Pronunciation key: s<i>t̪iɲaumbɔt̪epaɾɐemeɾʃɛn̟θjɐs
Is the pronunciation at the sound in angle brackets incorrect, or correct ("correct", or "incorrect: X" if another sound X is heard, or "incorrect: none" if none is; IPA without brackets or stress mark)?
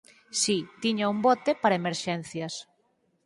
correct